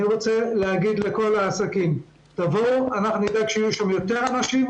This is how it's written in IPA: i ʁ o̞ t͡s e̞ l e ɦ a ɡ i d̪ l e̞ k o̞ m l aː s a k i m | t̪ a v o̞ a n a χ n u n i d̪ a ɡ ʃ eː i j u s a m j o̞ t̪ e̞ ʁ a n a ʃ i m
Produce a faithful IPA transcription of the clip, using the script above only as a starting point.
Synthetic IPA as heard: i ʁ o̞ t͡s e̞ l e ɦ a ɡ i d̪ l e̞ k o̞ l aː s a k i m | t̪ a v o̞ a n a χ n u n i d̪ a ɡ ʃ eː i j u ʃ a m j o̞ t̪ e̞ ʁ a n a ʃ i m